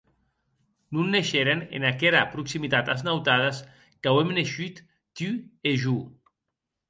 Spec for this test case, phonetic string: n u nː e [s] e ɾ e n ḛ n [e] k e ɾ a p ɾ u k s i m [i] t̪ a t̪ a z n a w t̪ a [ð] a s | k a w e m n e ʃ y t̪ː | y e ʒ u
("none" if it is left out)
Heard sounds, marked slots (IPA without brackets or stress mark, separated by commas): ʃ, a, i, ð